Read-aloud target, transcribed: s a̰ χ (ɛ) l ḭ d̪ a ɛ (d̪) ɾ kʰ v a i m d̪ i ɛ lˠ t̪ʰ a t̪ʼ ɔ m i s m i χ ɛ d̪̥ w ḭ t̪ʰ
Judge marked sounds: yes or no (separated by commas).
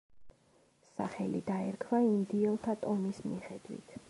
yes, no